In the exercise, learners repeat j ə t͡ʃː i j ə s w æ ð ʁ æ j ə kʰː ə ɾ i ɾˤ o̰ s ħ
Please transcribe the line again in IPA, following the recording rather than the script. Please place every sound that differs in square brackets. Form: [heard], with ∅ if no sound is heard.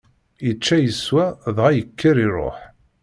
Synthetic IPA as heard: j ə t͡ʃː [æ] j ə s w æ ð ʁ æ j ə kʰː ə ɾ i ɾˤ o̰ [∅] ħ